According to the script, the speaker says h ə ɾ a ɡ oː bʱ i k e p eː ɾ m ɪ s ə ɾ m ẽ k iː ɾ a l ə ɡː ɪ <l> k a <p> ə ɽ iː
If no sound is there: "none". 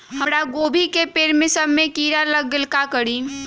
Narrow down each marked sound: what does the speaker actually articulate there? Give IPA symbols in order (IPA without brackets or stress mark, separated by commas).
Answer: l, k